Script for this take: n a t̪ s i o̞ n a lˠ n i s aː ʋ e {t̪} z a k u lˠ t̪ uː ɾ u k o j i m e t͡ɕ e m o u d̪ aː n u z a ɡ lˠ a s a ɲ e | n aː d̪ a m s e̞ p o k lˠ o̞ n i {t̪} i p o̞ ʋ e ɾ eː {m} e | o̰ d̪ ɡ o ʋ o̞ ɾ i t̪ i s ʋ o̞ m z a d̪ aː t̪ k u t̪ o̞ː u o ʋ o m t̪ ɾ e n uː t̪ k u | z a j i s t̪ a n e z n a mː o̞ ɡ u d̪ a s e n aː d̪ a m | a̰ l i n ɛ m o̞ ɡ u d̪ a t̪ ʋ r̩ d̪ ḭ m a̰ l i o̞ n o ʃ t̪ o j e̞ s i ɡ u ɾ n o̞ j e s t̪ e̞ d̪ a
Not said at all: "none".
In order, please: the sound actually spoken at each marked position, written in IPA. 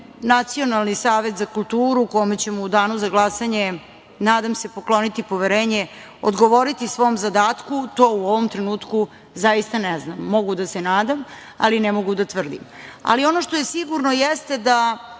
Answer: t̪, t̪, ɲ

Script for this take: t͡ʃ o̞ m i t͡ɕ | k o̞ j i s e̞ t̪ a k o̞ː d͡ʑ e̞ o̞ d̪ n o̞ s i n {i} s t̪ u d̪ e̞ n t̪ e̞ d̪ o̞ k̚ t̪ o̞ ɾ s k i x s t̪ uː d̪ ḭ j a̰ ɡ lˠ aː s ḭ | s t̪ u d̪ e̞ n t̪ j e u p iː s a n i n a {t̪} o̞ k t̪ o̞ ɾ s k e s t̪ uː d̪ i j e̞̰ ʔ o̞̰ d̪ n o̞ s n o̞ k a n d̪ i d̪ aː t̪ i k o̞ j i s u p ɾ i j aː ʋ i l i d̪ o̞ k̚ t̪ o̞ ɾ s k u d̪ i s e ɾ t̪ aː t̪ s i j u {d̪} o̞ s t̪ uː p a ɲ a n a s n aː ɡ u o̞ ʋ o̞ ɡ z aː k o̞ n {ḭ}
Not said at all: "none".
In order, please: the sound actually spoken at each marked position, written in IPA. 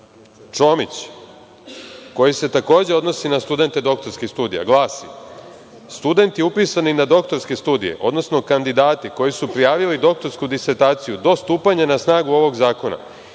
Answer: a, d̪, d̪, a̰

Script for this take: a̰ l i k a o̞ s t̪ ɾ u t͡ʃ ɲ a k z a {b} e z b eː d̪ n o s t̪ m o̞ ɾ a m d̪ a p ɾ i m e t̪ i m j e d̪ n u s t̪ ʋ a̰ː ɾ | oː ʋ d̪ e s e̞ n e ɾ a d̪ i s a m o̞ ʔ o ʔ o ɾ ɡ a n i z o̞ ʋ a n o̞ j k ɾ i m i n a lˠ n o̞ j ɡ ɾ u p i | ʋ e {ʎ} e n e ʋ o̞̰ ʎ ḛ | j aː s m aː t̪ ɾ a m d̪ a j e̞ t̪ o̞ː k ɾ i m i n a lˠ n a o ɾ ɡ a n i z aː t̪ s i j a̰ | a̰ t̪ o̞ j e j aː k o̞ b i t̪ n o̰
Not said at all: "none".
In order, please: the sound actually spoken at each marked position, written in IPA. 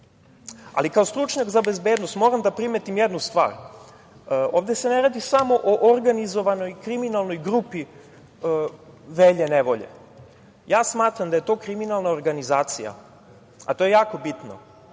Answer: b, ʎ

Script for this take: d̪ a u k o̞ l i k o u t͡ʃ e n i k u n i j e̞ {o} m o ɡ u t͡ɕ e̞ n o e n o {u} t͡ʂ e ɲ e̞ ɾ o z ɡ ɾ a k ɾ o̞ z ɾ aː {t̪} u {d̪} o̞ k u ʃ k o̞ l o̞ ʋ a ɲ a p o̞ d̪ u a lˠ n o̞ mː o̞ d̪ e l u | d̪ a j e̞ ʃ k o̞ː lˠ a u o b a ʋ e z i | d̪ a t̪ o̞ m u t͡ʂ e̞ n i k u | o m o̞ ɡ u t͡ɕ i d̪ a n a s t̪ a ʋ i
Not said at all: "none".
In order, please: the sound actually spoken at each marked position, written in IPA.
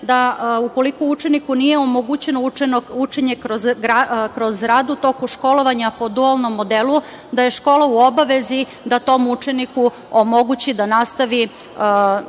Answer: o, u, d̪, t̪

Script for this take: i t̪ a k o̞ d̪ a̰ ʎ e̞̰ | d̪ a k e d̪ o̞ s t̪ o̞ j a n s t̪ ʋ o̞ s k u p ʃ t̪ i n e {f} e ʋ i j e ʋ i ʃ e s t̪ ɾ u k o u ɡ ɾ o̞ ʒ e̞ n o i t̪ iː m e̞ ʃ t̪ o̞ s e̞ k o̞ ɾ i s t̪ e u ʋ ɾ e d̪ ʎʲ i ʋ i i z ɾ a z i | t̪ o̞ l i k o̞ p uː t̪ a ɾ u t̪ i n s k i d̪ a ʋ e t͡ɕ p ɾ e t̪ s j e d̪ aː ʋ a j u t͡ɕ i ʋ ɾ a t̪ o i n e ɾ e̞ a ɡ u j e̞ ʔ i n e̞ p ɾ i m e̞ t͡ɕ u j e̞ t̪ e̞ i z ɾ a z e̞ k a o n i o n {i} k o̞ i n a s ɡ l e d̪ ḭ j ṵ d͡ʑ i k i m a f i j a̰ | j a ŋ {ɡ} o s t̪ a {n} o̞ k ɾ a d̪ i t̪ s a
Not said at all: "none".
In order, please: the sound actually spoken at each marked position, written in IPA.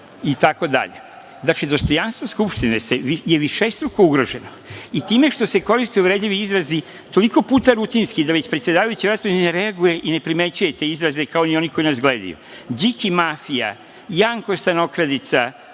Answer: s, i, k, n

